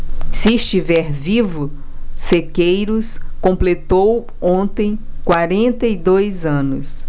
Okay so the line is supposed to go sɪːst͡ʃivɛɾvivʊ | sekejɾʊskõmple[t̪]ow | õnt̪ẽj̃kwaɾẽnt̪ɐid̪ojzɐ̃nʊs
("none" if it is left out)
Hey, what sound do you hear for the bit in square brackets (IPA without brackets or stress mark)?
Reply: t̪